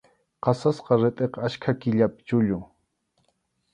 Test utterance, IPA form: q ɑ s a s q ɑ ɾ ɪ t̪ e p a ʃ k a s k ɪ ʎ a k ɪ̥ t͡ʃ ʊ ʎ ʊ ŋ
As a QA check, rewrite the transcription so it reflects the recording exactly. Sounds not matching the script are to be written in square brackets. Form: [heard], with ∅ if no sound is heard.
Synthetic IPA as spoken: q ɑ s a s q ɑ ɾ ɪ [t̪ʼ] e [q] a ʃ [kʰ] a [∅] k ɪ ʎ a [p] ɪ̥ t͡ʃ ʊ ʎ ʊ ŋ